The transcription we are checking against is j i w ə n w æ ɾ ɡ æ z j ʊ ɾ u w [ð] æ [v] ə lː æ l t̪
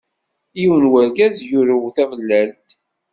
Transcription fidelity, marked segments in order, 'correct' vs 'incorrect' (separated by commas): incorrect, correct